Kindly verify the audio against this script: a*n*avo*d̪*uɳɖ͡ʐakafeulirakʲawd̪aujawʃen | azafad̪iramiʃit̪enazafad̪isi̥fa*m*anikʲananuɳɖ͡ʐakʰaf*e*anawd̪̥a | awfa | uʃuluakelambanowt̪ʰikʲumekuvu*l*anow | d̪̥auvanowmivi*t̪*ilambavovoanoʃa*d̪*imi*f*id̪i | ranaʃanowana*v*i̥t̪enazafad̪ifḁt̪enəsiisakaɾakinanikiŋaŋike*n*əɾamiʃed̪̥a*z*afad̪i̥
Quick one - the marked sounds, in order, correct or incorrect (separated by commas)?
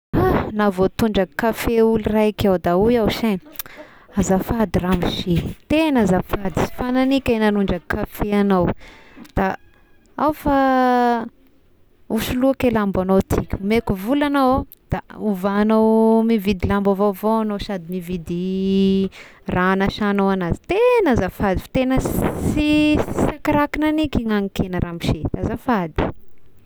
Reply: correct, incorrect, incorrect, correct, correct, incorrect, correct, incorrect, incorrect, correct, correct